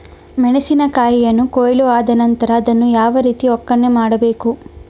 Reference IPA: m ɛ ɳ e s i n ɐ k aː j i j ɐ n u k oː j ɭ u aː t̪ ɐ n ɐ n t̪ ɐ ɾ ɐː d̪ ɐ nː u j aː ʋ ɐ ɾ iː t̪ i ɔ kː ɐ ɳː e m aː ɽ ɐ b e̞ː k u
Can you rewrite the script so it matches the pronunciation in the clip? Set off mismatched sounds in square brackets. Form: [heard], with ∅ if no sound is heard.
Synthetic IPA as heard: m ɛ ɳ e s i n ɐ k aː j i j ɐ [nː] u k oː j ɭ u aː [d̪] ɐ n ɐ n t̪ ɐ ɾ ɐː d̪ ɐ nː u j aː ʋ ɐ ɾ iː t̪ i ɔ kː ɐ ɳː e m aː ɽ ɐ b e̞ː k u